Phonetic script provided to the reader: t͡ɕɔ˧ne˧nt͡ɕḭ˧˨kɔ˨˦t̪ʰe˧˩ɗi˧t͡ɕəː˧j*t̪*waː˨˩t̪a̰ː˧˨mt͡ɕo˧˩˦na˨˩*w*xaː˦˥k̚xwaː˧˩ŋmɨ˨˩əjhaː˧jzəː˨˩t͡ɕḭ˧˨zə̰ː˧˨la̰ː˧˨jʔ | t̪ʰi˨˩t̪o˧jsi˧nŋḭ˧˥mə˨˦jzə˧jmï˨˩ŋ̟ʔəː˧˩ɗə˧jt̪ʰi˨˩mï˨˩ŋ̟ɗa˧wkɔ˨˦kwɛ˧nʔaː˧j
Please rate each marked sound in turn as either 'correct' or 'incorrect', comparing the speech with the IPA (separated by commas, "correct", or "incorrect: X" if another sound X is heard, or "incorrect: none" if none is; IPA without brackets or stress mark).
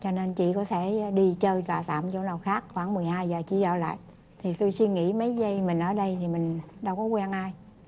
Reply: correct, correct